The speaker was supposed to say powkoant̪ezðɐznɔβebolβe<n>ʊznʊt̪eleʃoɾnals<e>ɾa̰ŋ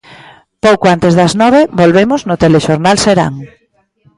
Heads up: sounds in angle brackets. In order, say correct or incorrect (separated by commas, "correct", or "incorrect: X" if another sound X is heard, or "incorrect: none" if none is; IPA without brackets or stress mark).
incorrect: m, correct